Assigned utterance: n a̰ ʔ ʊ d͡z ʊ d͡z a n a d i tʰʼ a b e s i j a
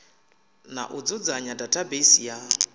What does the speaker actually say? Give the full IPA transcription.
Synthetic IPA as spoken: n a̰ ʔ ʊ d͡z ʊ d͡z a ɲ a d a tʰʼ a b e s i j a